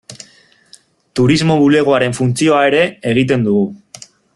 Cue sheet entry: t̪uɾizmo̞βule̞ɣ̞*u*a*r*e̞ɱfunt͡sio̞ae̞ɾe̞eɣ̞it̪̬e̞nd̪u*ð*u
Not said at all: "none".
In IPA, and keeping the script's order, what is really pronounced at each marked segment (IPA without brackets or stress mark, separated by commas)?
o, ɾ, ɣ